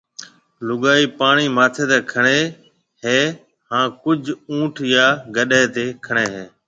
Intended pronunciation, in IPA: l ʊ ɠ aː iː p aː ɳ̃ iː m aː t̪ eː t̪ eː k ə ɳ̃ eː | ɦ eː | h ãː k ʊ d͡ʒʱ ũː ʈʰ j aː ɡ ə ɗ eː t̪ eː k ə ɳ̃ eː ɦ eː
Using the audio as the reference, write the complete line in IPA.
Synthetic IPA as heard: l ʊ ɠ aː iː p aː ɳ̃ iː m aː t̪ʰ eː t̪ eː kʰ ə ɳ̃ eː | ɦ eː | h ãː k ʊ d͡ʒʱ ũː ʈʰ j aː ɡ ə ɗ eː t̪ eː kʰ ə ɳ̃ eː ɦ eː